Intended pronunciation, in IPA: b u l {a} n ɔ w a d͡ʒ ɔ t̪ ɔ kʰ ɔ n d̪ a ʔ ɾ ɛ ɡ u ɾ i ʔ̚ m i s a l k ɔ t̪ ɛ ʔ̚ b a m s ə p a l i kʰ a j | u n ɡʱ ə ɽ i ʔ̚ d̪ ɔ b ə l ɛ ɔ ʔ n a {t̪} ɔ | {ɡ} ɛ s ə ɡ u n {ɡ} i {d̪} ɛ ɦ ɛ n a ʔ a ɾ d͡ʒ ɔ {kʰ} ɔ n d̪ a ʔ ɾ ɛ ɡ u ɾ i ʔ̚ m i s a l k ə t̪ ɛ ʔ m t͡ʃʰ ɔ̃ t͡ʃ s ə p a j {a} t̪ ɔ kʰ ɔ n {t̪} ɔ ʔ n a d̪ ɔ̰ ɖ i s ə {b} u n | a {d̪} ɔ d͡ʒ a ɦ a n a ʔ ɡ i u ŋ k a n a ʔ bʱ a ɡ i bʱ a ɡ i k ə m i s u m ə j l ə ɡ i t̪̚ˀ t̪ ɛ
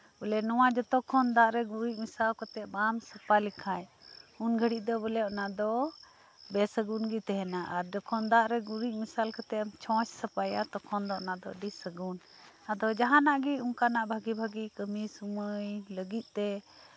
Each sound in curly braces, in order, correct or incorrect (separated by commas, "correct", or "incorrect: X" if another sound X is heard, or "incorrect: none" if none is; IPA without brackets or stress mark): incorrect: ɛ, incorrect: d̪, incorrect: b, correct, incorrect: t̪, correct, correct, incorrect: d̪, incorrect: ɡ, correct